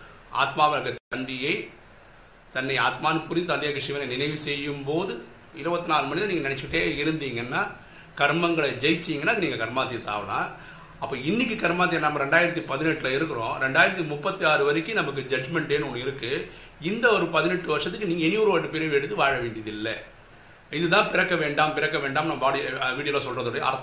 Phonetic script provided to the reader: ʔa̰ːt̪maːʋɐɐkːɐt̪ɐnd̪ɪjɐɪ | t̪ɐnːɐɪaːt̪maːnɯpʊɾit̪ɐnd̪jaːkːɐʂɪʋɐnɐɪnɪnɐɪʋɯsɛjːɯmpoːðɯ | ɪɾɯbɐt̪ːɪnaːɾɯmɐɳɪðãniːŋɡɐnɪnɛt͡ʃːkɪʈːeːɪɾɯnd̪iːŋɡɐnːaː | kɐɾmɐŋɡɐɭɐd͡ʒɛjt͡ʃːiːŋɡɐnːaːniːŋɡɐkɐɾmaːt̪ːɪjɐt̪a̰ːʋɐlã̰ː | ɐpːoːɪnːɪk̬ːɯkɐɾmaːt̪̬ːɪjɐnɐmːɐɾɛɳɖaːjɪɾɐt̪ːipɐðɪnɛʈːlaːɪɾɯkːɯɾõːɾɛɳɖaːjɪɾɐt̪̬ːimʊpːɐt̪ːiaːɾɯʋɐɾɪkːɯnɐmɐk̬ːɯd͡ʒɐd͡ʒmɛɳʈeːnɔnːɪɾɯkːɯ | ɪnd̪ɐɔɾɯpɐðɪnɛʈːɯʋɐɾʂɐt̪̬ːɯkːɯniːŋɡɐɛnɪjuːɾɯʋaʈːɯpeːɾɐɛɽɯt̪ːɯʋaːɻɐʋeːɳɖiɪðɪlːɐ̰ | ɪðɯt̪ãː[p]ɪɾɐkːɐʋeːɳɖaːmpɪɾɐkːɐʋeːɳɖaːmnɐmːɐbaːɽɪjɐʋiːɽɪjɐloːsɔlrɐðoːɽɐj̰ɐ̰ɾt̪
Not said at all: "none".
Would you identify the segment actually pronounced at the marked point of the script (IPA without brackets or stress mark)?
p